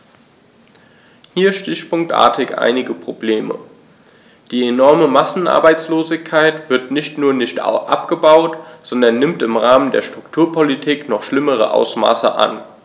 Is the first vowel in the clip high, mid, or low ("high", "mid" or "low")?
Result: high